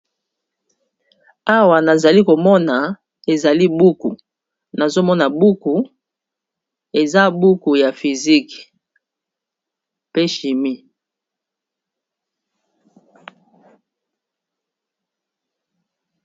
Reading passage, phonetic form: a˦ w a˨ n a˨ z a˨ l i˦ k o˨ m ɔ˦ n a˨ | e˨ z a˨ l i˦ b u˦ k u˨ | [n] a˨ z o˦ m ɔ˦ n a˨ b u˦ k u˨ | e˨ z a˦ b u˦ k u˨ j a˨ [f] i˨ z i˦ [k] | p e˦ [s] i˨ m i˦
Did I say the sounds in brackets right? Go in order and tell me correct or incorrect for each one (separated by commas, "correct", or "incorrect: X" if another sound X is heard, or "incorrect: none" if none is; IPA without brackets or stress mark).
correct, correct, correct, incorrect: ʃ